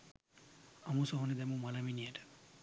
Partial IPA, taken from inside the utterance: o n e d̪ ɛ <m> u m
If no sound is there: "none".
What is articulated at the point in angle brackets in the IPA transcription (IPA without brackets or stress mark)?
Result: m